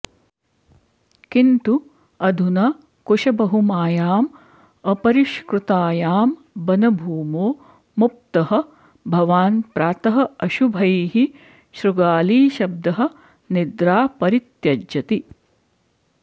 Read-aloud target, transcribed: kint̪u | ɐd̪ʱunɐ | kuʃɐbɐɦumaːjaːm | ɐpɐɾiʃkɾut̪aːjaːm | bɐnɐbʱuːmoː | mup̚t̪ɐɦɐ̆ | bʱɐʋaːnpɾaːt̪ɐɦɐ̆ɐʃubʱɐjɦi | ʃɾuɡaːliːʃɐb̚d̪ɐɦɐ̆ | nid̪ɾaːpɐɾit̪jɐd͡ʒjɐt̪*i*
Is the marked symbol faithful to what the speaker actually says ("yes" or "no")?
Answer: yes